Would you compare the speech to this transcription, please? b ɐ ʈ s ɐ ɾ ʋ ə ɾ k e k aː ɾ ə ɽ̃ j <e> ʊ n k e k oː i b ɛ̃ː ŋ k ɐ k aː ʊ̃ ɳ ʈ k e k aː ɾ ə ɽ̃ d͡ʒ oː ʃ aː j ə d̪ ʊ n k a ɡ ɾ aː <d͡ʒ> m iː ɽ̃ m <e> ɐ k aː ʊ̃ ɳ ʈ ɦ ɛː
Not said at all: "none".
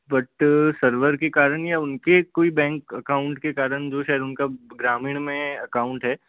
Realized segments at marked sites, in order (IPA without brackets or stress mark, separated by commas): a, none, ẽ